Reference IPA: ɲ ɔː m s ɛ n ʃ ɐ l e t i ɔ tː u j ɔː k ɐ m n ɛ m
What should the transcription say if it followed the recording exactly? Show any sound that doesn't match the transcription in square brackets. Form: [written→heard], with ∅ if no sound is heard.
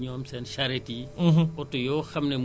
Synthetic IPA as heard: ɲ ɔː m s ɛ n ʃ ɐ [l→ɾ] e t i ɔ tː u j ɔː [k→x] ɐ m n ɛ m